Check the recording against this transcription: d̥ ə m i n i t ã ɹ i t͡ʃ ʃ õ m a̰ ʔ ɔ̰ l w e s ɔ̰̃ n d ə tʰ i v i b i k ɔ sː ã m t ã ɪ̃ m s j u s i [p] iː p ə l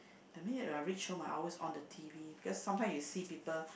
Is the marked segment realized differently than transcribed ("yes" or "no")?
no